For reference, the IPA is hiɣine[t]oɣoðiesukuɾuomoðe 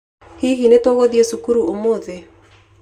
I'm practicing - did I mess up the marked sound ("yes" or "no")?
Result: no